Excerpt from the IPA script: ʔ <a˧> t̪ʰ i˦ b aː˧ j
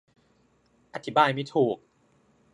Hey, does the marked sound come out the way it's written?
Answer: yes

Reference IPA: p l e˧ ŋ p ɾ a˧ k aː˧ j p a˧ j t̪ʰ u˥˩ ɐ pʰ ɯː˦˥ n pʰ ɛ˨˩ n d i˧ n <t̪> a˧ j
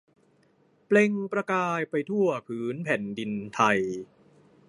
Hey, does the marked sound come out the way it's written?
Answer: no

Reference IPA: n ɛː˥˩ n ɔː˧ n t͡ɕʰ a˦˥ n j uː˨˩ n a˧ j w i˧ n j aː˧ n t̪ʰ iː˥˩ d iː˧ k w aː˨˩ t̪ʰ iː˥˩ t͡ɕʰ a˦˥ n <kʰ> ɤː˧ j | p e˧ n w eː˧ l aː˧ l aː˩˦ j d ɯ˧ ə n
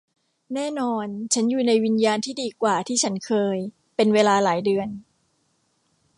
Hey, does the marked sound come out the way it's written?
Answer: yes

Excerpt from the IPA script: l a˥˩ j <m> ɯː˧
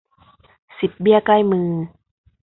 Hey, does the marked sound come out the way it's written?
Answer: yes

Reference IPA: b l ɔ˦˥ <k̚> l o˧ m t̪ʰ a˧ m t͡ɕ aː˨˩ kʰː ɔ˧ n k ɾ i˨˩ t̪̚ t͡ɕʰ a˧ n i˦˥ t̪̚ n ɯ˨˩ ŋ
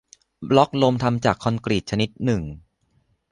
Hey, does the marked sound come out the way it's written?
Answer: yes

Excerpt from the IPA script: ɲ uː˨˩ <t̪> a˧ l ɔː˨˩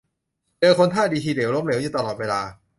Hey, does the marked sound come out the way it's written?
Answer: yes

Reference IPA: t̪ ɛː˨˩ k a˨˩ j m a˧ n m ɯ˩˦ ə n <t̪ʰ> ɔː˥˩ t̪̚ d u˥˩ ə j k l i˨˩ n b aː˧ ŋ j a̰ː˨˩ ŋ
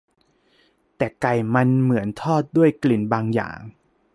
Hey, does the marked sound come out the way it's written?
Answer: yes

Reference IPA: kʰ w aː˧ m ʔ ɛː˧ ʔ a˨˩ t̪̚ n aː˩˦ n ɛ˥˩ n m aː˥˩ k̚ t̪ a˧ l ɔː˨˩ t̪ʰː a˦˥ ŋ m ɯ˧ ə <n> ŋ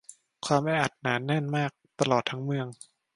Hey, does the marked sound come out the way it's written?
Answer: no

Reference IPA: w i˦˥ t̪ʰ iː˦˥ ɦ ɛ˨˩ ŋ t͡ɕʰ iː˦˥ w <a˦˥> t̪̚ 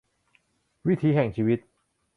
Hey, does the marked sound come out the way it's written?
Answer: no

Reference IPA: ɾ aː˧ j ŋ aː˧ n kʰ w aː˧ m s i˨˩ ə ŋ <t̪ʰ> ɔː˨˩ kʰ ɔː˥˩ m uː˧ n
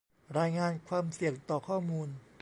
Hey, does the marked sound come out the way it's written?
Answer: no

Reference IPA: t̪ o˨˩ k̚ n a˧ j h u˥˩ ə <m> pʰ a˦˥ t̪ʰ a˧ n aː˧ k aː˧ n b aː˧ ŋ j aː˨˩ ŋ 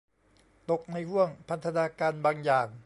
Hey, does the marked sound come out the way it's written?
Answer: no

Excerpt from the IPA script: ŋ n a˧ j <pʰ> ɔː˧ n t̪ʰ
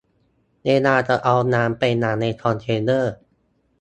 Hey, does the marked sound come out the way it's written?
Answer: no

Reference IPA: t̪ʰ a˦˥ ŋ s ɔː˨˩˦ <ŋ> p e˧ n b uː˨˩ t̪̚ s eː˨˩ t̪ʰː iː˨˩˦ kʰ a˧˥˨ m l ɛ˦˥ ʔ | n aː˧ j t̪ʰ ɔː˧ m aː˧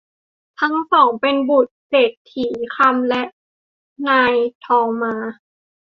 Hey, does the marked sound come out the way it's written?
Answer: yes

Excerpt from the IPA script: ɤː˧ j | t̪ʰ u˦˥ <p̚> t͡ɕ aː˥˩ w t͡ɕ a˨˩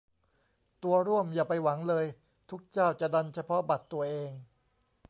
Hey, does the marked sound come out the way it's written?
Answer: no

